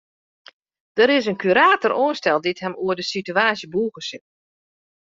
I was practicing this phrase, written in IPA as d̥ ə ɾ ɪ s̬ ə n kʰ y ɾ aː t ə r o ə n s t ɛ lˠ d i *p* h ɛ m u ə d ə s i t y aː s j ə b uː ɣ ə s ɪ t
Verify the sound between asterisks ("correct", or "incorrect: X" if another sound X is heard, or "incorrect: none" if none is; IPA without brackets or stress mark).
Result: incorrect: t